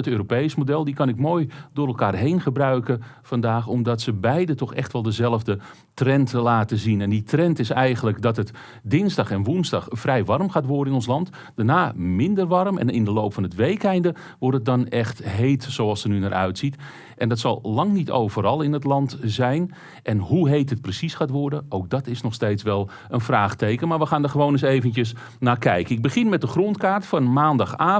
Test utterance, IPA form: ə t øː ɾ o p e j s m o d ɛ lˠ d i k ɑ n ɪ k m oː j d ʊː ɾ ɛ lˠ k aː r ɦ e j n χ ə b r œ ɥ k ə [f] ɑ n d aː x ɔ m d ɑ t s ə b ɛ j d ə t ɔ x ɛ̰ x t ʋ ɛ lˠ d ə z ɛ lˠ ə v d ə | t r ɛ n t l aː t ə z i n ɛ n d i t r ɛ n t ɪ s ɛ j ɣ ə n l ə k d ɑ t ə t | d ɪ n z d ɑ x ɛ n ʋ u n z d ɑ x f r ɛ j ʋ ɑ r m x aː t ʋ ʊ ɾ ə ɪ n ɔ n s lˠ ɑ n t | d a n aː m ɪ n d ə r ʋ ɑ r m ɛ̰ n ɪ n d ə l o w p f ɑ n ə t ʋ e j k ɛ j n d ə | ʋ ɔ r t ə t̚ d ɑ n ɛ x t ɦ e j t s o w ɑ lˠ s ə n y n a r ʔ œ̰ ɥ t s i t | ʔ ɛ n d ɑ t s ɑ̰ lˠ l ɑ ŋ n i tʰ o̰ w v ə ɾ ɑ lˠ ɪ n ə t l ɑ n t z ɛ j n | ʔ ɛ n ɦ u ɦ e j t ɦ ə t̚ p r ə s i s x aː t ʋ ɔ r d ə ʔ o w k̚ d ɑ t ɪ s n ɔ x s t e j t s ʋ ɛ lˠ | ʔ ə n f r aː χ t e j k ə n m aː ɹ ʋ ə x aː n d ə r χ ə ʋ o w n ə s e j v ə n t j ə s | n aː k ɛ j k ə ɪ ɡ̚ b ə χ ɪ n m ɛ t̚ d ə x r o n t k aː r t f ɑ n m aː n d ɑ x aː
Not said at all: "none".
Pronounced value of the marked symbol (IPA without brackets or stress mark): f